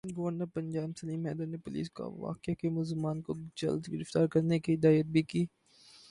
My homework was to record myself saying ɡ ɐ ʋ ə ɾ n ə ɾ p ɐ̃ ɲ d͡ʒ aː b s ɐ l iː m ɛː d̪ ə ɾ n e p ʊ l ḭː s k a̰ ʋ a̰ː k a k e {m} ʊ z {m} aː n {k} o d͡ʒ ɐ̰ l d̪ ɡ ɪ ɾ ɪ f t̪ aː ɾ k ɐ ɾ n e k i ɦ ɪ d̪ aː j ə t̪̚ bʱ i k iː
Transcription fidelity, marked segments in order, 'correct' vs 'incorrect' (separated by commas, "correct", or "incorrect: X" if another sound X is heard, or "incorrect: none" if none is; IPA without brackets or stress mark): correct, correct, correct